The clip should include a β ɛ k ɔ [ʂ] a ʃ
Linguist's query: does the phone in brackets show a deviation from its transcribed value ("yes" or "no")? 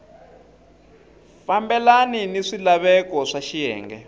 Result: no